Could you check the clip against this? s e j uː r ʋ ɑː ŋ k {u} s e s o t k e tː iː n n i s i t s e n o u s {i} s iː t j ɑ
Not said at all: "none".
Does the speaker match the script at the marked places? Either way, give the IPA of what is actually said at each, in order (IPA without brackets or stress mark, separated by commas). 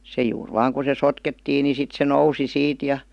u, i